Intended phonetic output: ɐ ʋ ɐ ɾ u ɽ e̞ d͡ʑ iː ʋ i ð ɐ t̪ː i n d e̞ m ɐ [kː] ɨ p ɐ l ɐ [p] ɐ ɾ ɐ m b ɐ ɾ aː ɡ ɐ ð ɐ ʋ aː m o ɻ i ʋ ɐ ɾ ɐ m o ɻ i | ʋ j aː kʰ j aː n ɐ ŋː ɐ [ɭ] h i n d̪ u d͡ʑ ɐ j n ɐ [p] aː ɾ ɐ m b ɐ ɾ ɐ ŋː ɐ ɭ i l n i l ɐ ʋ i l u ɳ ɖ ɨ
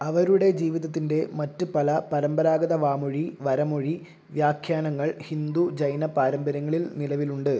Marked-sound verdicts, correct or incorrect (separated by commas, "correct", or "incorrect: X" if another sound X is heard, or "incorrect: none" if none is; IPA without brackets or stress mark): incorrect: tː, correct, correct, correct